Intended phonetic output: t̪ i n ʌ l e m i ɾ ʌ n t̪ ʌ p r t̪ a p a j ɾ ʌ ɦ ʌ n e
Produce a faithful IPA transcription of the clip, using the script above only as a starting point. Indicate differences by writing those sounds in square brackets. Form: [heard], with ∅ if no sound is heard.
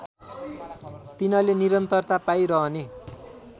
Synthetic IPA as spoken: t̪ i n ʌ l e [n] i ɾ ʌ n t̪ ʌ [∅] r t̪ a p a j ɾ ʌ ɦ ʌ n e

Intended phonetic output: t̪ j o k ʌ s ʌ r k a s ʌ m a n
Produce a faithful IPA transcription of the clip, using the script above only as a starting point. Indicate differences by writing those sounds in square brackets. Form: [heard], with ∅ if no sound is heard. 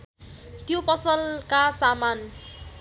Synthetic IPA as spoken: t̪ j o [p] ʌ s ʌ [l] k a s [a] m a n

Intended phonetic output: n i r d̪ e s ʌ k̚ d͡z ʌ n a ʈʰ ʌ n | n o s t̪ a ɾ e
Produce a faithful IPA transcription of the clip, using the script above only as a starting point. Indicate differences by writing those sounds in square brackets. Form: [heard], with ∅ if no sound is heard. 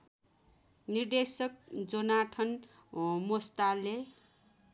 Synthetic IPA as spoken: n i r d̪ e s ʌ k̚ d͡z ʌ n a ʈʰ ʌ n | [m] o s t̪ a [l] e

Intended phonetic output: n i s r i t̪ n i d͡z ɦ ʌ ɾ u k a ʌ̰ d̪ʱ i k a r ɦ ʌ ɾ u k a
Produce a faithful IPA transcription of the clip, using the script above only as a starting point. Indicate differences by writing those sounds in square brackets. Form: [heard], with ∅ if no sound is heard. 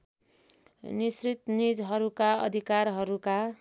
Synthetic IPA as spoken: n i s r i t̪ n i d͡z ɦ ʌ ɾ u k a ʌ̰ d̪ʱ i k a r ɦ ʌ ɾ u k a

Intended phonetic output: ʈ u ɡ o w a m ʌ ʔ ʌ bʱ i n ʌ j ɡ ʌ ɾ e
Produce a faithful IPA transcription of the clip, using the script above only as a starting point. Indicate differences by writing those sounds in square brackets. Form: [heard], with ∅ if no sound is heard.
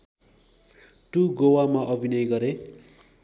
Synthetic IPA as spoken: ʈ u ɡ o w a m [a] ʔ ʌ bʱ i n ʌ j ɡ ʌ ɾ e

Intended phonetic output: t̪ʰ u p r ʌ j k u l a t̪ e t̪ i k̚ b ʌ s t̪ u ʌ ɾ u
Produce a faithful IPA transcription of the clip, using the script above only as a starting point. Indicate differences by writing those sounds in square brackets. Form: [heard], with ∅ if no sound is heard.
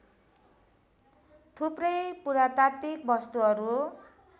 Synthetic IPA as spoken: t̪ʰ u p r ʌ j [p] u [ɾ] a t̪ [a] t̪ i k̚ b ʌ s t̪ u ʌ ɾ u

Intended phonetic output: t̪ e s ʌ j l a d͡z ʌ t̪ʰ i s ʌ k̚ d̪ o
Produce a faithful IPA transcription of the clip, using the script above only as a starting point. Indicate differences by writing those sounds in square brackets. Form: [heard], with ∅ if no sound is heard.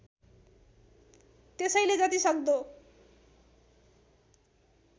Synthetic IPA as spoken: t̪ e s ʌ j l [e] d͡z ʌ [t̪] i s ʌ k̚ d̪ o

